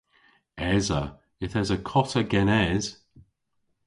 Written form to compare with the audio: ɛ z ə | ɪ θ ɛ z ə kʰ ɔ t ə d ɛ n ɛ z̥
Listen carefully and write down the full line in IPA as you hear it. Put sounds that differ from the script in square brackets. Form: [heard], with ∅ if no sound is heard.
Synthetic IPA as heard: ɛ z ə | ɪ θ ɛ z ə kʰ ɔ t ə [ɡ] ɛ n ɛ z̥